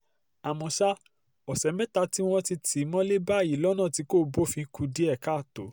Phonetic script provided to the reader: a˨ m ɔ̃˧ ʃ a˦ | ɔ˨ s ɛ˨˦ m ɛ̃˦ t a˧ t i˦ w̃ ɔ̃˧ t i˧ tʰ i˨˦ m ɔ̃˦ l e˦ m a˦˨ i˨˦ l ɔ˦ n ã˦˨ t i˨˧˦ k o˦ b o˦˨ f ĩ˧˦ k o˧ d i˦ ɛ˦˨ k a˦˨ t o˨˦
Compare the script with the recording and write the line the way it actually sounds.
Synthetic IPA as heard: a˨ m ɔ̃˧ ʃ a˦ | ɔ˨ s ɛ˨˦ m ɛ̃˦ t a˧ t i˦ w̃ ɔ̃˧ t i˧ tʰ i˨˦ m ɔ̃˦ l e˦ b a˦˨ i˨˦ l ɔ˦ n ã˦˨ t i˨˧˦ k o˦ b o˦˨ f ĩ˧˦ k u˧ d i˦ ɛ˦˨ k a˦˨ t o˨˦